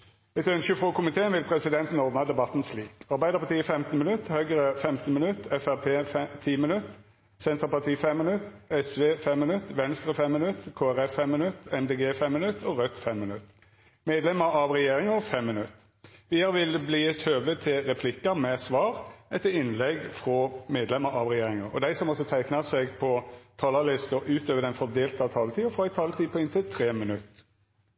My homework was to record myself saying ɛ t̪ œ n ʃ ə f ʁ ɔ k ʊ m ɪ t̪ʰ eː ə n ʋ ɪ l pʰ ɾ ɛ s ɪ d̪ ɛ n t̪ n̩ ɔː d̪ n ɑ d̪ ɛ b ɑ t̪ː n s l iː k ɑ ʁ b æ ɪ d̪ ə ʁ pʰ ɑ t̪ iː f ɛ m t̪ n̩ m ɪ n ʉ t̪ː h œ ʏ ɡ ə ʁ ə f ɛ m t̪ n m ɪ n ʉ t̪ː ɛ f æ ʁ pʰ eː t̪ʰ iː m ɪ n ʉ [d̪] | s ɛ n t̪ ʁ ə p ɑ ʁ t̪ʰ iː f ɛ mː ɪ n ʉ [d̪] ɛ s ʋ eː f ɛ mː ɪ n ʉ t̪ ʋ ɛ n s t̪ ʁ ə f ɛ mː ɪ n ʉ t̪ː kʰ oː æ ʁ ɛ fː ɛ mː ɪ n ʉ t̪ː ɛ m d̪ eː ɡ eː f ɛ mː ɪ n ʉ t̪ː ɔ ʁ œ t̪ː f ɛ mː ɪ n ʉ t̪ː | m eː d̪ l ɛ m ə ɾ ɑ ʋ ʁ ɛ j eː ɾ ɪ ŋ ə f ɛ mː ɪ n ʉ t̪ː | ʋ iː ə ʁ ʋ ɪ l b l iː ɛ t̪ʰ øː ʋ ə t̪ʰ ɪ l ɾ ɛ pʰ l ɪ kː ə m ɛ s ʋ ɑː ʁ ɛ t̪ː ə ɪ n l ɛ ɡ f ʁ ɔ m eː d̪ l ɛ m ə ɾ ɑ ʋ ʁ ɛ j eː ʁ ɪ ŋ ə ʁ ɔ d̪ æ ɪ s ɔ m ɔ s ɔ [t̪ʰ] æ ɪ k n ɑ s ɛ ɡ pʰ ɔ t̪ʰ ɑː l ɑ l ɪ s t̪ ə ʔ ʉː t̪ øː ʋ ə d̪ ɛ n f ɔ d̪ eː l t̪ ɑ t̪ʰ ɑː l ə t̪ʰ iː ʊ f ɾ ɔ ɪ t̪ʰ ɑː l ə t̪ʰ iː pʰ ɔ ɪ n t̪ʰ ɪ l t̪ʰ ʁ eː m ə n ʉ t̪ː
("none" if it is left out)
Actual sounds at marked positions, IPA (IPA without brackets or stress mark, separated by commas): t̪, t̪, t̪ʰ